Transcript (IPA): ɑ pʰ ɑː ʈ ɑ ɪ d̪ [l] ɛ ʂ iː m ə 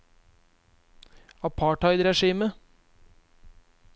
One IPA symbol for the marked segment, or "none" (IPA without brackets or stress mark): ɾ